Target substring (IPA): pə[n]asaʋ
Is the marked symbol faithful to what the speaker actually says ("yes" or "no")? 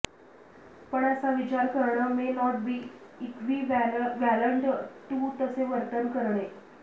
no